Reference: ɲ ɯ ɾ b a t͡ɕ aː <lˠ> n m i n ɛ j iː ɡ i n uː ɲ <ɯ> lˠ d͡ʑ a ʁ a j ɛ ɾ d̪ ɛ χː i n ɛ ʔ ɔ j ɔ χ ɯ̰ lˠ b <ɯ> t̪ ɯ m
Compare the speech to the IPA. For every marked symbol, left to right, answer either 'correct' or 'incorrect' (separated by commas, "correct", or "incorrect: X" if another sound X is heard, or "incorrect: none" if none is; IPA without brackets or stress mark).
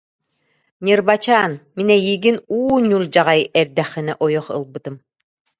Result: incorrect: none, incorrect: u, correct